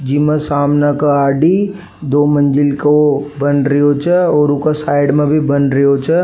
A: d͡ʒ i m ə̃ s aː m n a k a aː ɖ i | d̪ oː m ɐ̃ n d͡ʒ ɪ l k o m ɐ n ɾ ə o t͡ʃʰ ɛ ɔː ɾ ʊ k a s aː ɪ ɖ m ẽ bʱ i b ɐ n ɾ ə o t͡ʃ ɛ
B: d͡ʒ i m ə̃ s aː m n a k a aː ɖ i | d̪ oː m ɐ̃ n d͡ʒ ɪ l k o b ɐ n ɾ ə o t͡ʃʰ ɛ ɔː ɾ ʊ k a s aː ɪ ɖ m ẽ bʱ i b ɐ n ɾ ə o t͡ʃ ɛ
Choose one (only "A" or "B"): B